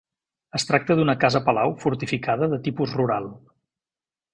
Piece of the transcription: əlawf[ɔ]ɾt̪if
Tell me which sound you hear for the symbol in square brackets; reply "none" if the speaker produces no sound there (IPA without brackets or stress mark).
u